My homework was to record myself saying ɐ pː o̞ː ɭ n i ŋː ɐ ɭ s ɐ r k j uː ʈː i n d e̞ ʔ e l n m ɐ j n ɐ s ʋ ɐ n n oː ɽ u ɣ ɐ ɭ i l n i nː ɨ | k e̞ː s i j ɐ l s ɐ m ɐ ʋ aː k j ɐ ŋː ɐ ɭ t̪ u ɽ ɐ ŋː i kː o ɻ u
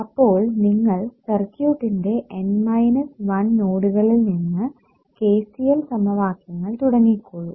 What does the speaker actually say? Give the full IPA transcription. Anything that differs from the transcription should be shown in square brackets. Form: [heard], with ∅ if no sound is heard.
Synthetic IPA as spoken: ɐ pː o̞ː ɭ n i ŋː ɐ ɭ s ɐ r k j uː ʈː i n d e̞ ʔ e [∅] n m ɐ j n ɐ s ʋ ɐ n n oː ɽ u ɣ ɐ ɭ i l n i nː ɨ | k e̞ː s i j ɐ l s ɐ m ɐ ʋ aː k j ɐ ŋː ɐ ɭ t̪ u ɽ ɐ ŋː i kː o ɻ u